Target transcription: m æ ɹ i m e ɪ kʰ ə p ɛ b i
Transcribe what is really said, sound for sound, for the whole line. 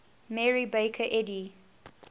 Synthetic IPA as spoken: m ɛ ɹ i b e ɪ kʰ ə ʔ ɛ d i

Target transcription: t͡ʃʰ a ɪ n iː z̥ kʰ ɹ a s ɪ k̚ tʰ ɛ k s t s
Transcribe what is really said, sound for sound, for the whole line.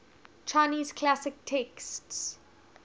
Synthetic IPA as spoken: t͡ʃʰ a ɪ n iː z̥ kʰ l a s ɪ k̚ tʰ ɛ k s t s

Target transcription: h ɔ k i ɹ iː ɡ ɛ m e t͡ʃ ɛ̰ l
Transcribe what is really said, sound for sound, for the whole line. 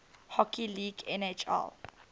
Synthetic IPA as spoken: h ɔ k i l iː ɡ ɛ n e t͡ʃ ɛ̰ l

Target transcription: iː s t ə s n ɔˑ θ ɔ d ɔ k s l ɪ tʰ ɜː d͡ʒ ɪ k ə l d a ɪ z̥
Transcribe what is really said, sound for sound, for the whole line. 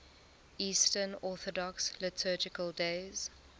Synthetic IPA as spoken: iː s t ə n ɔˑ θ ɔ d ɔ k s l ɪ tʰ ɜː d͡ʒ ɪ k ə l d e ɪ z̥

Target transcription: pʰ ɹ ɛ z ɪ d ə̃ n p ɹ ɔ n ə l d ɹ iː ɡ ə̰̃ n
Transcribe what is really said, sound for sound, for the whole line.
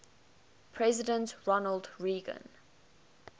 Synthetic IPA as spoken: pʰ ɹ ɛ z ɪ d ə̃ n t ɹ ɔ n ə l d ɹ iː ɡ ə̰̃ n

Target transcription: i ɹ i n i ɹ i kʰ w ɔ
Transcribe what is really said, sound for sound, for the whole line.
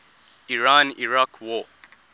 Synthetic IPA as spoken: i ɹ a n i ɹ a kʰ w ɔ

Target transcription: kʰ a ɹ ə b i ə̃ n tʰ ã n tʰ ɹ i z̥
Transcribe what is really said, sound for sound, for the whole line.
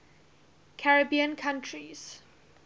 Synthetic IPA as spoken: kʰ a ɹ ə b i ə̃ n kʰ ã n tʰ ɹ i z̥

